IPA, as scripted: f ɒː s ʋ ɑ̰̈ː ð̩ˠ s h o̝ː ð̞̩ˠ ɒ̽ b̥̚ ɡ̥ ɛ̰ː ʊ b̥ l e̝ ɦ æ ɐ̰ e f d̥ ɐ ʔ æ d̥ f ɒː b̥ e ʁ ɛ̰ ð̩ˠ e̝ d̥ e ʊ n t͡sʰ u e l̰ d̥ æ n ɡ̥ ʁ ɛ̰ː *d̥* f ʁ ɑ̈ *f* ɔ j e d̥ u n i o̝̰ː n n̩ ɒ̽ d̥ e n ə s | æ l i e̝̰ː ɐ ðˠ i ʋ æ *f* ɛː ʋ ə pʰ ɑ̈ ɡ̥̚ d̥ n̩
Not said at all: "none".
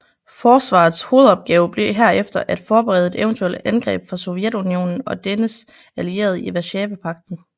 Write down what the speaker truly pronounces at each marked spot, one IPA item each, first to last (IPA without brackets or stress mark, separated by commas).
b̥, s, ɕ